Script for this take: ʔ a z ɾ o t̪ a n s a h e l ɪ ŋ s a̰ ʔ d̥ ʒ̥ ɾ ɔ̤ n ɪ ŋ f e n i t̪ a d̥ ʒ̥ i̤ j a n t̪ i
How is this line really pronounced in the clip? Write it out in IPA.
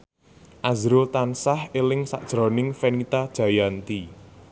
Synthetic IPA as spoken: ʔ a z ɾ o t̪ a n s a h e l ɪ ŋ s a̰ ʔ d̥ ʒ̥ ɾ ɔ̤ n ɪ ŋ f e n i t̪ a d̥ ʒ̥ a̤ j a n t̪ i